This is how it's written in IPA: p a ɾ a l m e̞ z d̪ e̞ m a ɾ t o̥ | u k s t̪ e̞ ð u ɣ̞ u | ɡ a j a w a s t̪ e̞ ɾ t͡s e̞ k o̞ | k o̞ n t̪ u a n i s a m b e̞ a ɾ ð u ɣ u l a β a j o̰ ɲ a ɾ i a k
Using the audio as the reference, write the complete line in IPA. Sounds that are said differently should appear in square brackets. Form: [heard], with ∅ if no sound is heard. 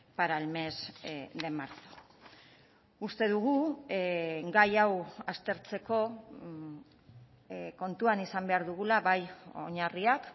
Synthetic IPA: p a ɾ a l m e̞ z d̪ e̞ m a ɾ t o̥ | u [∅] s t̪ e̞ ð u ɣ̞ u | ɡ a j a w a s t̪ e̞ ɾ t͡s e̞ k o̞ | k o̞ n t̪ u a n i s a m b e̞ a ɾ ð u ɣ u l a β a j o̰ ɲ a [r] i a k

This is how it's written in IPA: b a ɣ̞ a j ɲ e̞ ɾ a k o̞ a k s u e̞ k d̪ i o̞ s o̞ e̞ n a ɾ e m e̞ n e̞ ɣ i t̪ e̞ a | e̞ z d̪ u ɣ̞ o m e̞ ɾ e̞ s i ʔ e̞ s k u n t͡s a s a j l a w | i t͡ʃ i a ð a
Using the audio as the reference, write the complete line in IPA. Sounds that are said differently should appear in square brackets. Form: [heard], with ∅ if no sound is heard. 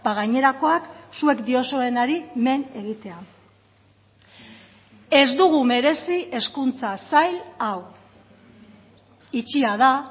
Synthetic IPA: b a ɣ̞ a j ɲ e̞ ɾ a k o̞ a k s u e̞ k d̪ i o̞ s o̞ e̞ n a ɾ [i] m e̞ n e̞ ɣ i t̪ e̞ a | e̞ z d̪ u ɣ̞ [u] m e̞ ɾ e̞ s i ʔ e̞ s k u n t͡s a s a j l a w | i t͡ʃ i a ð a

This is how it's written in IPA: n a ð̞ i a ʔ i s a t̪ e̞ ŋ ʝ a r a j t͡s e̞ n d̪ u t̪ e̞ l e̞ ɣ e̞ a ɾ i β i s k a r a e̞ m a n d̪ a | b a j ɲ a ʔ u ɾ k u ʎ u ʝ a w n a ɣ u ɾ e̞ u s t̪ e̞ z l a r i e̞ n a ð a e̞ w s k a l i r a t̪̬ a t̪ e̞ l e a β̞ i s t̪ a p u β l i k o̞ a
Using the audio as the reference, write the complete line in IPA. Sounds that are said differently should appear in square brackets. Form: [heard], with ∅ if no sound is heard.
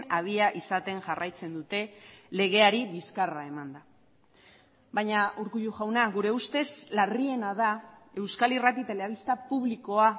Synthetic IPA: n a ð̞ i a ʔ i s a t̪ e̞ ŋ ʝ a r a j t͡s e̞ n d̪ u t̪ e̞ l e̞ ɣ e̞ a ɾ i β i s k a r a e̞ m a n d̪ a | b a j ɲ a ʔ u ɾ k u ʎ u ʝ a w n a ɣ u ɾ e̞ u s t̪ e̞ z l a r i e̞ n a ð a e̞ w s k a l i r a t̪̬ [i] t̪ e̞ l e a β̞ i s t̪ a p u β l i k o̞ a

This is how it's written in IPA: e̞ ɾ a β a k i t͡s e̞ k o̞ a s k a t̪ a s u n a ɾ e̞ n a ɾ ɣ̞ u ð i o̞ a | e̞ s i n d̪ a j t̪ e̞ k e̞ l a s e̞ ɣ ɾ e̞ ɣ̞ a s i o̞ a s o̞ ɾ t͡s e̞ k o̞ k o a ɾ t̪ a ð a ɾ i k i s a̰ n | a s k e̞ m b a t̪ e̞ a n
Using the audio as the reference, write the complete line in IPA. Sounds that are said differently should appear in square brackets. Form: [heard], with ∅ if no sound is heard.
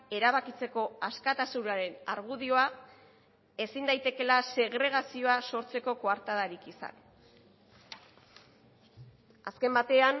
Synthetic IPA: e̞ ɾ a β a k i t͡s e̞ k o̞ a s k a t̪ a s u n a ɾ e̞ n a ɾ ɣ̞ u ð i o̞ a | e̞ s i n d̪ a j t̪ e̞ k e̞ l a s e̞ ɣ ɾ e̞ ɣ̞ a s i o̞ a s o̞ ɾ t͡s e̞ k o̞ k o a ɾ t̪ a ð a ɾ i k i s a̰ n | a s k e̞ m b a t̪ e̞ a n

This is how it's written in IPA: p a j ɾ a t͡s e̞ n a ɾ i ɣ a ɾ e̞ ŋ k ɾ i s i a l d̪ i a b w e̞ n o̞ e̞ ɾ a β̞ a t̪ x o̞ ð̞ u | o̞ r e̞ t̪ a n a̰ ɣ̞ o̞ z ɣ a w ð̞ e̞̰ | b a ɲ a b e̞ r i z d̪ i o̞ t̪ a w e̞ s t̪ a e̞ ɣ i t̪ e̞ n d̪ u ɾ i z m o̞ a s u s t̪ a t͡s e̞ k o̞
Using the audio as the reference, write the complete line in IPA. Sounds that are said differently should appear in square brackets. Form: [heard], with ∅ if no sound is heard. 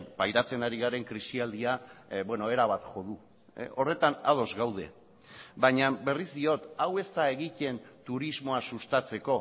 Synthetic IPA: p a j ɾ a t͡s e̞ n a ɾ i ɣ a ɾ e̞ ŋ k ɾ i s i a l d̪ i a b w e̞ n o̞ e̞ ɾ a β̞ a t̪ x o̞ ð̞ u | o̞ r e̞ t̪ a n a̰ [ð̞] o̞ z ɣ a w ð̞ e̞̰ | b a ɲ a b e̞ r i z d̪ i o̞ t̪ a w e̞ s t̪ a e̞ ɣ i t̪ e̞ n [t̪] u ɾ i z m o̞ a s u s t̪ a t͡s e̞ k o̞

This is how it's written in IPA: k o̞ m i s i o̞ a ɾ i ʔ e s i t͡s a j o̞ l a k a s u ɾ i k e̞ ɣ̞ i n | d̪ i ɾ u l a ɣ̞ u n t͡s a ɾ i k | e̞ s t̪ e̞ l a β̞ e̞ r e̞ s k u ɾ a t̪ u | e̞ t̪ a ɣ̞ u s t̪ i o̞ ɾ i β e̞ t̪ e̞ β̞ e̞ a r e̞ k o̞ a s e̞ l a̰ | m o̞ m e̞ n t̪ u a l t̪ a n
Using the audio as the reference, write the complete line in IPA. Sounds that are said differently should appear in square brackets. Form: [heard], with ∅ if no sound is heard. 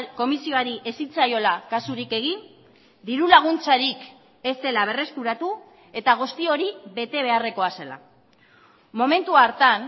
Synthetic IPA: k o̞ m i s i o̞ a ɾ i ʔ e s i t͡s a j o̞ l a k a s u ɾ i k e̞ ɣ̞ i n | d̪ i ɾ u l a ɣ̞ u n t͡s a ɾ i k | e̞ s t̪ e̞ l a β̞ e̞ r e̞ s k u ɾ a t̪ u | e̞ t̪ a ɣ̞ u s t̪ i o̞ ɾ i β e̞ t̪ e̞ β̞ e̞ a r e̞ k o̞ a s e̞ l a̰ | m o̞ m e̞ n t̪ u a [ɾ] t̪ a n

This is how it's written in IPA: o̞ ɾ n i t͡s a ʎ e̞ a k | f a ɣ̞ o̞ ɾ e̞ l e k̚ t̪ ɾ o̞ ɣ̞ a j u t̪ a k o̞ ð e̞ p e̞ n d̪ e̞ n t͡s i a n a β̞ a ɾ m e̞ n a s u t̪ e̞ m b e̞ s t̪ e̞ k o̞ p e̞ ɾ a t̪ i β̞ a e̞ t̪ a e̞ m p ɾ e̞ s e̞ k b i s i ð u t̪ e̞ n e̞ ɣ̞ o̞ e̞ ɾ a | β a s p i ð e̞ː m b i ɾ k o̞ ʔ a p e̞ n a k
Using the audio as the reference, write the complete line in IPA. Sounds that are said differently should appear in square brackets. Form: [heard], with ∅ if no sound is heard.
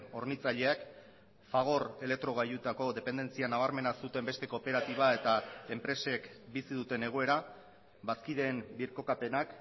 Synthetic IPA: o̞ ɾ n i t͡s a ʎ e̞ a k | f a ɣ̞ o̞ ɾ e̞ l e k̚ t̪ ɾ o̞ ɣ̞ a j u t̪ a k o̞ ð e̞ p e̞ n d̪ e̞ n t͡s i a n a β̞ a ɾ m e̞ n a s u t̪ e̞ m b e̞ s t̪ e̞ k o̞ p e̞ ɾ a t̪ i β̞ a e̞ t̪ a e̞ m p ɾ e̞ s e̞ k b i s i ð u t̪ e̞ n e̞ ɣ̞ o̞ e̞ ɾ a | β a s [k] i ð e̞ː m b i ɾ k o̞ [k] a p e̞ n a k

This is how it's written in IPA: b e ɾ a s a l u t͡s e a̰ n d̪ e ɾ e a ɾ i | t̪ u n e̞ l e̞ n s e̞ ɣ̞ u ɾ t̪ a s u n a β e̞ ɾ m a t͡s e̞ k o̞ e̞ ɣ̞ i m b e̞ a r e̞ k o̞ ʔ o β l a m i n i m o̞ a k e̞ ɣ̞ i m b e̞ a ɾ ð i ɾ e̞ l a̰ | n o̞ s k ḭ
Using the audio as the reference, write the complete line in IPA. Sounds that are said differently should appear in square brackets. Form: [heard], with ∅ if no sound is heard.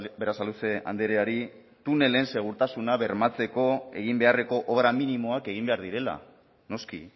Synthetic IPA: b e ɾ a s a l u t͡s e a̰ n d̪ e ɾ e a ɾ i | t̪ u n e̞ l e̞ n s e̞ ɣ̞ u ɾ t̪ a s u n a β e̞ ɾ m a t͡s e̞ k o̞ e̞ ɣ̞ i m b e̞ a r e̞ k o̞ ʔ o β [ɾ] a m i n i m o̞ a k e̞ ɣ̞ i m b e̞ a ɾ ð i ɾ e̞ l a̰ | n o̞ s k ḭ

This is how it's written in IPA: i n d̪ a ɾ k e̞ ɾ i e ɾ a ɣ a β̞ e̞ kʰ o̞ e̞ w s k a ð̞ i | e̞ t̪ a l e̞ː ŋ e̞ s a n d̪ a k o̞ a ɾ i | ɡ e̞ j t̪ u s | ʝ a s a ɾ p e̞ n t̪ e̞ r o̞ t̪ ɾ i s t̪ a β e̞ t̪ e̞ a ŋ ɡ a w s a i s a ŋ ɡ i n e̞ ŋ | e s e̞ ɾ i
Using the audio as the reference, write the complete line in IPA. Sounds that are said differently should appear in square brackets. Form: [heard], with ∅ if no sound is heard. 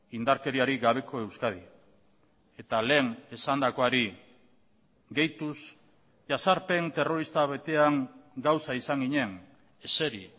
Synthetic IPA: i n d̪ a ɾ k e̞ ɾ i [a] ɾ [i] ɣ a β̞ e̞ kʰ o̞ e̞ w s k a ð̞ i | e̞ t̪ a l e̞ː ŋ e̞ s a n d̪ a k o̞ a ɾ i | ɡ e̞ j t̪ u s | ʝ a s a ɾ p e̞ n t̪ e̞ r o̞ [∅] ɾ i s t̪ a β e̞ t̪ e̞ a ŋ ɡ a w s a i s a ŋ ɡ i [ɲ] e̞ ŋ | e s e̞ ɾ i

